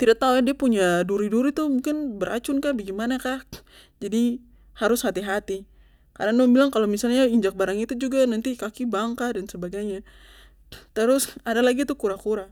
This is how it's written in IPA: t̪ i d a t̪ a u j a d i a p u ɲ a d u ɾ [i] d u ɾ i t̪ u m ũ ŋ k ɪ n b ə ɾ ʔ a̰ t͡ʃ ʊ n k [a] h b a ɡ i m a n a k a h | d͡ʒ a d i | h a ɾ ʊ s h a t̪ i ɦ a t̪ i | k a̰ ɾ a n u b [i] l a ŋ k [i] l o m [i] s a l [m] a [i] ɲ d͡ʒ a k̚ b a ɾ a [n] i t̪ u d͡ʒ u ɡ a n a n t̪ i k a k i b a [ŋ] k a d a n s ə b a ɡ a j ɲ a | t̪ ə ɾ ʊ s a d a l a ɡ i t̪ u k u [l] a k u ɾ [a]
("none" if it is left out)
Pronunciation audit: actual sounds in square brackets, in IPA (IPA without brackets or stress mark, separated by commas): i, a, i, a, i, ɲ, i, ŋ, ŋ, ɾ, a